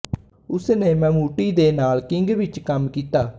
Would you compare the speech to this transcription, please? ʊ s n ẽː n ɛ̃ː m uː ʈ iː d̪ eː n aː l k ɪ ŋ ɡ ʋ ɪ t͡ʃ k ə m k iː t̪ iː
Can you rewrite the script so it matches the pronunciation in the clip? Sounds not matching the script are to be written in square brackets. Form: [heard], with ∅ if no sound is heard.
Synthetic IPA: ʊ s n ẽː [m] ɛ̃ː m uː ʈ iː d̪ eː n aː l k ɪ ŋ ɡ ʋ ɪ t͡ʃ k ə m k iː t̪ [aː]